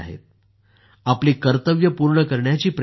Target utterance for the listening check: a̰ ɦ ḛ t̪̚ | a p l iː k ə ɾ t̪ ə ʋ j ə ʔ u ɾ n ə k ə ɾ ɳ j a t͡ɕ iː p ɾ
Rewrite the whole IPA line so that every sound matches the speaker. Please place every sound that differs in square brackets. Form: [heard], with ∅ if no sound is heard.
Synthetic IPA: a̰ ɦ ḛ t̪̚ | a p l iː k ə ɾ t̪ ə ʋ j ə [p] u ɾ [ɳ] ə k ə ɾ ɳ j a t͡ɕ iː p ɾ